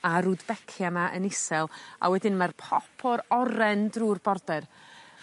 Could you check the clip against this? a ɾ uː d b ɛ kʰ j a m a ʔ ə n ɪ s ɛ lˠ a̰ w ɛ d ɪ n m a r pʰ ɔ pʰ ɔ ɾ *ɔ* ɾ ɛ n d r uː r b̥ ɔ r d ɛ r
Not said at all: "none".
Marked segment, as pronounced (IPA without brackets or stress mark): ɔ